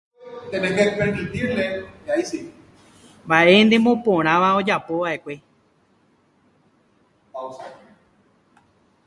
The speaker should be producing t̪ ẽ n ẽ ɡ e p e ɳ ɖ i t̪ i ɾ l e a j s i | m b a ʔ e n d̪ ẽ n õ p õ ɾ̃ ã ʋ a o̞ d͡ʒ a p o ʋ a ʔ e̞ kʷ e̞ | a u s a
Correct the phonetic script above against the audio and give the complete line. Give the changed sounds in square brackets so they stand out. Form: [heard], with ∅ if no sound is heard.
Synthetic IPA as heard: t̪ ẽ n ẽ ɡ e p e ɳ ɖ i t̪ i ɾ l e a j s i | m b a ʔ e n d̪ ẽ [m] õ p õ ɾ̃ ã ʋ a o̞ d͡ʒ a p o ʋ a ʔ e̞ kʷ e̞ | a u s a

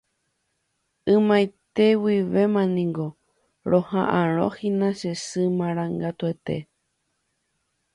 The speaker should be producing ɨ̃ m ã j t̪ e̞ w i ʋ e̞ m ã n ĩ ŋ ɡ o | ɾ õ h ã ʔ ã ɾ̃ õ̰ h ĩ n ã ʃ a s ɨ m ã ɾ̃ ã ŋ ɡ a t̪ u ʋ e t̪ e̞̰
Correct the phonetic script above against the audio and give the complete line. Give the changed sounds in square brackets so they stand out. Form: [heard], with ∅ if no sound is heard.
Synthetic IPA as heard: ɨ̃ m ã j t̪ e̞ w i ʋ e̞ m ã n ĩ ŋ ɡ o | ɾ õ h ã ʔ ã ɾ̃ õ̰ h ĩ n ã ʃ [e] s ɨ m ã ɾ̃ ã ŋ ɡ a t̪ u [∅] e t̪ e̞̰

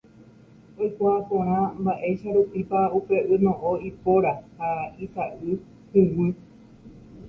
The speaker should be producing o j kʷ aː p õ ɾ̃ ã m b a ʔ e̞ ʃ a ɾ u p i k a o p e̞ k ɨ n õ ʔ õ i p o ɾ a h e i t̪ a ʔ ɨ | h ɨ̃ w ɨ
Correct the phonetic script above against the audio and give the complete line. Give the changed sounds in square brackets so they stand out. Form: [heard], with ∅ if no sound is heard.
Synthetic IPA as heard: o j kʷ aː p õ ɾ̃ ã m b a ʔ e̞ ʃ a ɾ u p i [p] a [u] p e̞ [ʔ] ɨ n õ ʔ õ i p o ɾ a h [a] i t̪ a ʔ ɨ | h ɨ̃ w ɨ

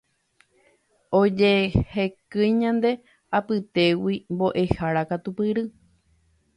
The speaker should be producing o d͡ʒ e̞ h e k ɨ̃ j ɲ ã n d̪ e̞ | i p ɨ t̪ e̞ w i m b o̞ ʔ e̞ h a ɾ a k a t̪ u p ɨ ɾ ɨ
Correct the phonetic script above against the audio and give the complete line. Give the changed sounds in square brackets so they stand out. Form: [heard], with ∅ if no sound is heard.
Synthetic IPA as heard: o d͡ʒ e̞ h e k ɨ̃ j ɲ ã n d̪ e̞ | [a] p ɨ t̪ e̞ w i m b o̞ ʔ e̞ h a ɾ a k a t̪ u p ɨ ɾ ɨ

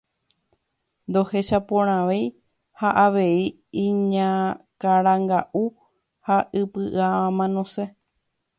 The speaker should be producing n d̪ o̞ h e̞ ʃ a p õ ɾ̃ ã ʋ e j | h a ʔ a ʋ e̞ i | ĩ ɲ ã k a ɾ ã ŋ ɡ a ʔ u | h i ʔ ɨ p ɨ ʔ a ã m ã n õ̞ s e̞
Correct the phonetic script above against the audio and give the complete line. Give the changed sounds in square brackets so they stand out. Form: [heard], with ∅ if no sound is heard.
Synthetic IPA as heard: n d̪ o̞ h e̞ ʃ a p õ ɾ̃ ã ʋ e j | h a ʔ a ʋ e̞ i | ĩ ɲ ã k a ɾ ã ŋ ɡ a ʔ u | h [a] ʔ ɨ p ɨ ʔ a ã m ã n õ̞ s e̞

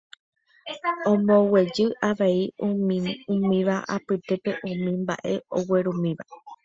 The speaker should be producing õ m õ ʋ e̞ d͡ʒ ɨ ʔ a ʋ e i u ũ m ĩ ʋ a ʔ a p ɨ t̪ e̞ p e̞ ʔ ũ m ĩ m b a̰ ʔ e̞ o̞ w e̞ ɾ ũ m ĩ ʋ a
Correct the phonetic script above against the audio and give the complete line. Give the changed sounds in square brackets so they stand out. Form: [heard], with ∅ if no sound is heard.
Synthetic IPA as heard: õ m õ [w] e̞ d͡ʒ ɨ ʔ a ʋ e i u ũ m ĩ ʋ a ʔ a p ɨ t̪ e̞ p e̞ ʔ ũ m ĩ m b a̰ ʔ e̞ o̞ w e̞ ɾ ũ m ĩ ʋ a

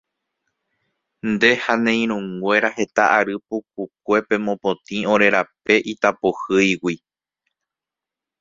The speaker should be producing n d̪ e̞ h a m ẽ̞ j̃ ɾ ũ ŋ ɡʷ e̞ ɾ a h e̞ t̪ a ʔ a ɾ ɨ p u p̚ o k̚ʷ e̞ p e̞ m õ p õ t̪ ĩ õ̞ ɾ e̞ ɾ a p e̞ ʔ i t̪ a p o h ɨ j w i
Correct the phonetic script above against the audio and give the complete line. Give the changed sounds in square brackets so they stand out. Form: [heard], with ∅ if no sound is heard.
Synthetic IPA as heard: n d̪ e̞ h a [n] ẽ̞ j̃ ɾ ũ ŋ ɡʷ e̞ ɾ a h e̞ t̪ a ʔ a ɾ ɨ p u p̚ [u] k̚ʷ e̞ p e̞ m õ p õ t̪ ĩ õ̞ ɾ e̞ ɾ a p e̞ ʔ i t̪ a p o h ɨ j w i

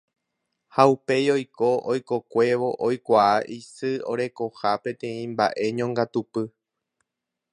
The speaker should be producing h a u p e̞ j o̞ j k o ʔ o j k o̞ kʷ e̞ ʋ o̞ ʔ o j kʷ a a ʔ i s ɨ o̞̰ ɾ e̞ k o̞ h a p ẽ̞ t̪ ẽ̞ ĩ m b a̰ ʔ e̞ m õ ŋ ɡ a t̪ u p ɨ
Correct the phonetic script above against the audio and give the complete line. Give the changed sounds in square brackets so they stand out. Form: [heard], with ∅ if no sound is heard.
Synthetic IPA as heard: h a u p e̞ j o̞ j k o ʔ o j k o̞ kʷ e̞ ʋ o̞ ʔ o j kʷ a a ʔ i s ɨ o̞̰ ɾ e̞ k o̞ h a p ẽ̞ t̪ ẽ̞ ĩ m b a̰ ʔ e̞ [ɲ] õ ŋ ɡ a t̪ u p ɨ

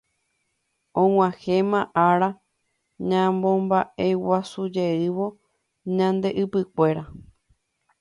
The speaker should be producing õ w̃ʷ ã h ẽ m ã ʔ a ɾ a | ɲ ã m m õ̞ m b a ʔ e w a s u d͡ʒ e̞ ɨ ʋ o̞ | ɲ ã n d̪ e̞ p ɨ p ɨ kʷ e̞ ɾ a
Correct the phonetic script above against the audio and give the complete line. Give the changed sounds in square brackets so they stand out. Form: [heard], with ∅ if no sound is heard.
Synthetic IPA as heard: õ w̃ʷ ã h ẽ m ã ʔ a ɾ a | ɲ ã m [b] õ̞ m b a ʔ e w a s u d͡ʒ e̞ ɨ ʋ o̞ | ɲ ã n d̪ e̞ [ʔ] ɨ p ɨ kʷ e̞ ɾ a

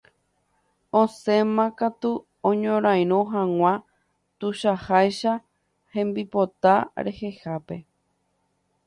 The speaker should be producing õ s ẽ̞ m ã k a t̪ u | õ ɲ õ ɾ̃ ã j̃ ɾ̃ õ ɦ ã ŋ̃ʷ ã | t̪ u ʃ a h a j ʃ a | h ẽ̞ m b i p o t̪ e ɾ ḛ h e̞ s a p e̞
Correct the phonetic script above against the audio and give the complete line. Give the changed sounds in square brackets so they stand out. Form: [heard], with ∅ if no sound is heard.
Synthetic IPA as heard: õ s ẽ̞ m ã k a t̪ u | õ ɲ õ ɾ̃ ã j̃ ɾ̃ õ ɦ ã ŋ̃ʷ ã | t̪ u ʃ a h a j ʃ a | h ẽ̞ m b i p o t̪ [a] ɾ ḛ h e̞ [h] a p e̞

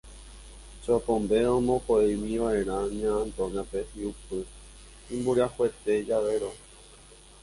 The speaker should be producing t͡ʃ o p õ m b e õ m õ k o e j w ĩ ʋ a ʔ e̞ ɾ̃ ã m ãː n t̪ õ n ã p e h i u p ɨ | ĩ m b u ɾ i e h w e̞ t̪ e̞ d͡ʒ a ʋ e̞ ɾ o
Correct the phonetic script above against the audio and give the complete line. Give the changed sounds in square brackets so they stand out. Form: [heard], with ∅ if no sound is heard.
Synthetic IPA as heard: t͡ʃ o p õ m b e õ m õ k o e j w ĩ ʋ a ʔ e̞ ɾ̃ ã [ɲ] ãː n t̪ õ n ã p e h i u p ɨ | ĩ m b u ɾ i [a] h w e̞ t̪ e̞ d͡ʒ a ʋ e̞ ɾ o

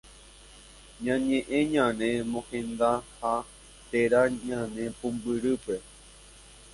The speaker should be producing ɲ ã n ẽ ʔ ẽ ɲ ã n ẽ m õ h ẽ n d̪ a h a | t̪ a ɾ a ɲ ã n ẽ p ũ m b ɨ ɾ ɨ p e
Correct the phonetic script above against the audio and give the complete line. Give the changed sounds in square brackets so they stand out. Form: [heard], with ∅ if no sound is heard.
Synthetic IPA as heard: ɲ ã [ɲ] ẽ ʔ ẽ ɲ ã n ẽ m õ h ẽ n d̪ a h a | t̪ [e] ɾ a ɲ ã n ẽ p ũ m b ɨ ɾ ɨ p e

